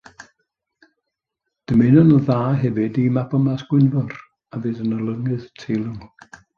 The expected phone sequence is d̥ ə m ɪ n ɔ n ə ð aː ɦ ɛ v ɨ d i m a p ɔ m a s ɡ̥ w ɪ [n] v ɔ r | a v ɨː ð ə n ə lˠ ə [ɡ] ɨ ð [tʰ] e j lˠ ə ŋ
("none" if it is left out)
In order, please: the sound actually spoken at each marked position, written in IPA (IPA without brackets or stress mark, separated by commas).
n, ŋ, tʰ